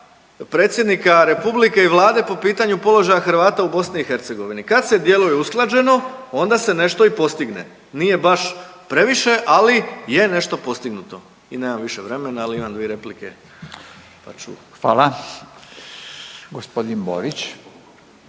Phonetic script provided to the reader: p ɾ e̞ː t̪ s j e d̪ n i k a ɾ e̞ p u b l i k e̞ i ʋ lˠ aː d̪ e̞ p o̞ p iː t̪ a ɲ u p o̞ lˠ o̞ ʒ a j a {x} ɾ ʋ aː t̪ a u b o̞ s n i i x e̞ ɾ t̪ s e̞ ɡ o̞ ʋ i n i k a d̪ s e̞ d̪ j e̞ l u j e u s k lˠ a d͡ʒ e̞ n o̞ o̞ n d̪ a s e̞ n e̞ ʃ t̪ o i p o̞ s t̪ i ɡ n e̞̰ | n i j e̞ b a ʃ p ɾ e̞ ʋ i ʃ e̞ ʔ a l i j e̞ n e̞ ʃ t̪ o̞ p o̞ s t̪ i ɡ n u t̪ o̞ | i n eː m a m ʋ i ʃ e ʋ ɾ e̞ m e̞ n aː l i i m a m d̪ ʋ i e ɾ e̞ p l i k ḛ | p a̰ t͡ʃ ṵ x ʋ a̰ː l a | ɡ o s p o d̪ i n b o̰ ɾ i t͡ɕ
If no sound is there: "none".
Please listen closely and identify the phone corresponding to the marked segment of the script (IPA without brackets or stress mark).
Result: x